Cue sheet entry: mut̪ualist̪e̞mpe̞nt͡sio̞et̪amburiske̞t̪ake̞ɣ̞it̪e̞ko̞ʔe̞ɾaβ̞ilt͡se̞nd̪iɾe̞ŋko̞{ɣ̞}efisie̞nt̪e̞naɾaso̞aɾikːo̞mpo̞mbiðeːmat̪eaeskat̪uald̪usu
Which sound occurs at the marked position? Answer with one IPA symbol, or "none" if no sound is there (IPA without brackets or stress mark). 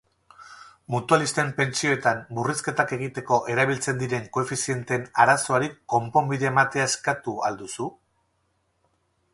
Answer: none